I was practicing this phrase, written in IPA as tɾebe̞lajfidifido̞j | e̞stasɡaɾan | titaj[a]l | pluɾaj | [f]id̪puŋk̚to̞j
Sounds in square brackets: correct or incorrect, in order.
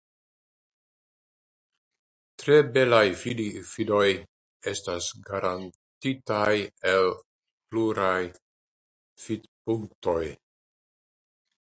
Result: incorrect: e, correct

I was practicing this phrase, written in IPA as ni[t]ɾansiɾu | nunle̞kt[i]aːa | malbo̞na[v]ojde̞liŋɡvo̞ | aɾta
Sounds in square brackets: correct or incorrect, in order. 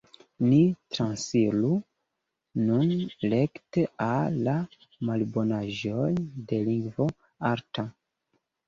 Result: correct, incorrect: e, incorrect: ʒ

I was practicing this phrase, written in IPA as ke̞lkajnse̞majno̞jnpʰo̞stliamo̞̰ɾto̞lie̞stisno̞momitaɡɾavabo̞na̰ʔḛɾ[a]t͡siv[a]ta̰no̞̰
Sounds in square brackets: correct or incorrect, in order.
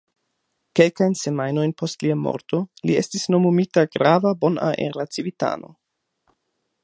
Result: correct, incorrect: i

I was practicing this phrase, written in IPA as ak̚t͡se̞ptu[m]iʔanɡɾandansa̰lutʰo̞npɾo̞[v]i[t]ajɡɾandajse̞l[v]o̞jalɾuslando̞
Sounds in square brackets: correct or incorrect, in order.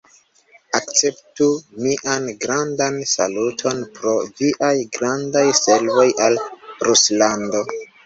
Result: correct, correct, incorrect: ʔ, correct

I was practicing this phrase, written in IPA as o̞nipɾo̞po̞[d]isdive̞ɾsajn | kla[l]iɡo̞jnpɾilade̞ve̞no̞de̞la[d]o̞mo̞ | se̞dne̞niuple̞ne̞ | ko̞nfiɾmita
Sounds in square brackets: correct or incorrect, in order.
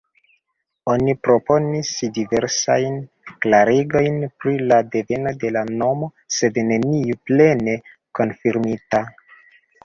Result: incorrect: n, incorrect: ɾ, incorrect: n

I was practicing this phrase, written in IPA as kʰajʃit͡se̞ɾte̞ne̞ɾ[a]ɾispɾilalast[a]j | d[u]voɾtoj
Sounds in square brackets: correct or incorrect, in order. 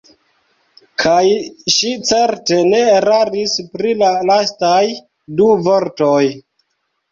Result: correct, correct, correct

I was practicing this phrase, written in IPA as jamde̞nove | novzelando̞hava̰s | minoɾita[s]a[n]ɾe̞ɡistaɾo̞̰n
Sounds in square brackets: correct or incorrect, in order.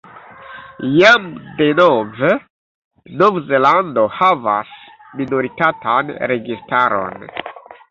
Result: incorrect: t, correct

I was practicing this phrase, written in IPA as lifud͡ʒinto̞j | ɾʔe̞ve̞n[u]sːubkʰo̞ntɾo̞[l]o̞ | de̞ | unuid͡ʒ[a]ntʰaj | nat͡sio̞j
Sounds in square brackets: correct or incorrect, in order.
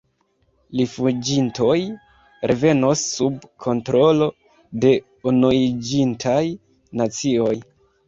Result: incorrect: o, correct, incorrect: i

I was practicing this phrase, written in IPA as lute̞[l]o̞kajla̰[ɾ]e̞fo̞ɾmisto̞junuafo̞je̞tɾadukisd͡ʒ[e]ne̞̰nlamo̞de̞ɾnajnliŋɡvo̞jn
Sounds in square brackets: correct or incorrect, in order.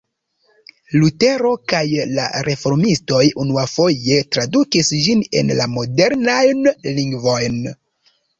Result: incorrect: ɾ, correct, incorrect: i

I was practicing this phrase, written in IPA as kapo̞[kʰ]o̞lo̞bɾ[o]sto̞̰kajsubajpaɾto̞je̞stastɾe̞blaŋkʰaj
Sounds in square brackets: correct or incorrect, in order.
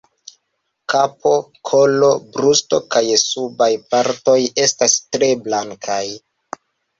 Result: correct, incorrect: u

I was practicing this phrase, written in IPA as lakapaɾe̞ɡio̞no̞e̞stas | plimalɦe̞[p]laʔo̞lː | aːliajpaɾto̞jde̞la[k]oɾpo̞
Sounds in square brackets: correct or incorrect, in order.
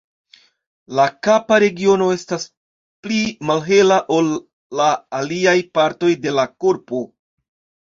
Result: incorrect: none, correct

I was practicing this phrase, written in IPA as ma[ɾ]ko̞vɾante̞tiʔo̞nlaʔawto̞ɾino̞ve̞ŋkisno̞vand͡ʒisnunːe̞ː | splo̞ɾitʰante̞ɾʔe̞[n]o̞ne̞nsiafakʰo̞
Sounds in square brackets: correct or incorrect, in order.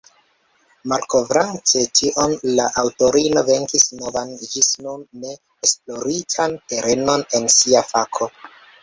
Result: incorrect: l, correct

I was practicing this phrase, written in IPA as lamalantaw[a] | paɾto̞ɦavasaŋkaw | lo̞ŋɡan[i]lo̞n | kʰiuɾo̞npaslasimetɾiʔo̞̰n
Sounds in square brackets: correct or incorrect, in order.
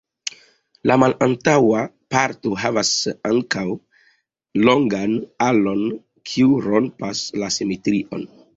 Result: correct, incorrect: a

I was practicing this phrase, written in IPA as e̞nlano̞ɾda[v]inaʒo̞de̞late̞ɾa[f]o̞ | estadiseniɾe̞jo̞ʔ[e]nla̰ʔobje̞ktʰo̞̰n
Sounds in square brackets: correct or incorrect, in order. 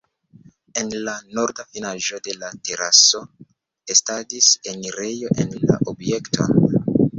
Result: incorrect: f, incorrect: s, correct

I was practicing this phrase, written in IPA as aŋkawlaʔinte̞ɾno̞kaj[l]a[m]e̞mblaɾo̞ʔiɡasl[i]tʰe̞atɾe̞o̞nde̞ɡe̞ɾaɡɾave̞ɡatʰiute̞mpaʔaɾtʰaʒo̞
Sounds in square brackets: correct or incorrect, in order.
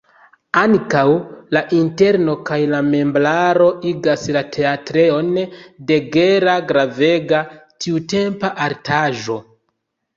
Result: correct, correct, incorrect: a

